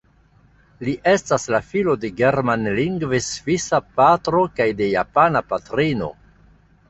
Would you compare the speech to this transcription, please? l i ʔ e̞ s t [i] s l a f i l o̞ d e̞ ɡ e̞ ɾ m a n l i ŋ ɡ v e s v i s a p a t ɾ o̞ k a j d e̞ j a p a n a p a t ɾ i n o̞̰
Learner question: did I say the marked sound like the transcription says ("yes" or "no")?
no